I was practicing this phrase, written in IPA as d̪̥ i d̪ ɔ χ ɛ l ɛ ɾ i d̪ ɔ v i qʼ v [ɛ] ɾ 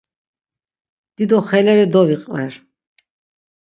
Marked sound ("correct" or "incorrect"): correct